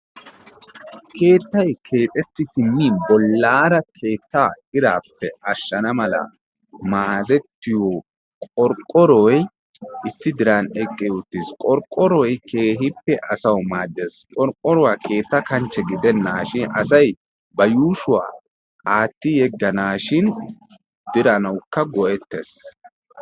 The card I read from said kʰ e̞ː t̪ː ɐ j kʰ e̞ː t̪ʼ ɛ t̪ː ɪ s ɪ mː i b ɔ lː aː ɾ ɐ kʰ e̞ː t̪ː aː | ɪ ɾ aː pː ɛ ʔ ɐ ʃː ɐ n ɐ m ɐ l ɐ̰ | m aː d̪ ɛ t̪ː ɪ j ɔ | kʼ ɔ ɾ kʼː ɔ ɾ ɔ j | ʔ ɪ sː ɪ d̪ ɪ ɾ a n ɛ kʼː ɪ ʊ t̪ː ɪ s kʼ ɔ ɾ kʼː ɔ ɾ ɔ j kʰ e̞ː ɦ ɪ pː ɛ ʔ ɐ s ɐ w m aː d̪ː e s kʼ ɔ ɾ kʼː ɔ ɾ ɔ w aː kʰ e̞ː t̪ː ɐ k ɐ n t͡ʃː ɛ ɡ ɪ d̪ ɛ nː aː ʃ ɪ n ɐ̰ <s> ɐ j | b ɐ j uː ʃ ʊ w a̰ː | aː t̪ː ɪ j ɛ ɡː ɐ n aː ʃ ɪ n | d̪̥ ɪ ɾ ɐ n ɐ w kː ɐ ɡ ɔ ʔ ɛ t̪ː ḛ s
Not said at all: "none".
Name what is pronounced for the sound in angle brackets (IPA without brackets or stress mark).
s